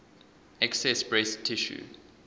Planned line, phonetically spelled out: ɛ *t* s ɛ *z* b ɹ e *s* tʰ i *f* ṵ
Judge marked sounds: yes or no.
no, no, yes, no

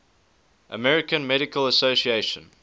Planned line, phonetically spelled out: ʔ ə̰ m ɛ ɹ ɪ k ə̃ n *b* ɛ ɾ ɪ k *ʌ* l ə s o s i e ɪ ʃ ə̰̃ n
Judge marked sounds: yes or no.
no, no

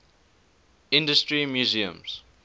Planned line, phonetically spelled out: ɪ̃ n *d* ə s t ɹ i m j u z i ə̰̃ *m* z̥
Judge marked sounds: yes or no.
yes, yes

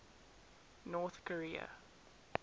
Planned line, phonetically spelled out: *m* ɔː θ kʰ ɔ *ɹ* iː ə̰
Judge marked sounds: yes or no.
no, yes

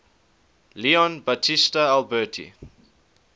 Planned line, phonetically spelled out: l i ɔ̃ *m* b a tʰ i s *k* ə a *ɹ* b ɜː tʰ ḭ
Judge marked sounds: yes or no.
no, no, no

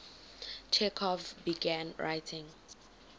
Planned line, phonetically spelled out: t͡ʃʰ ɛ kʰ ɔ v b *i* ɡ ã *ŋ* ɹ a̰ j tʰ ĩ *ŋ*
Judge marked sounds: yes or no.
yes, no, yes

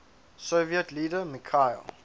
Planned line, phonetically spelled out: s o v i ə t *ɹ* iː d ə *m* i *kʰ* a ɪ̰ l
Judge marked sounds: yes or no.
no, yes, yes

